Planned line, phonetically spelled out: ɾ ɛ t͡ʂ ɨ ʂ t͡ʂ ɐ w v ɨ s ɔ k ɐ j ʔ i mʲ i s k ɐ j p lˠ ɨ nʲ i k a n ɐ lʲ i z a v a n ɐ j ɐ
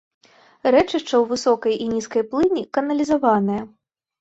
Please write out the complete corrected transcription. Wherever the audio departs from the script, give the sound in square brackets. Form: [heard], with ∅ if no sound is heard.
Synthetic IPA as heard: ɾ ɛ t͡ʂ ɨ ʂ t͡ʂ ɐ w v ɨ s ɔ k ɐ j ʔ i [nʲ] i s k ɐ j p lˠ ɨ nʲ i k [ɐ] n ɐ lʲ i z a v a n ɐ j ɐ